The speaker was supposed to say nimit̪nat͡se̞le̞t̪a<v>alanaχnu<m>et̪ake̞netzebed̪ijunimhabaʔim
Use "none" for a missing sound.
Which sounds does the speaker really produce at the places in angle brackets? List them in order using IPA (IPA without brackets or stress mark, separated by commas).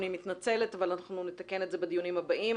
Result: v, n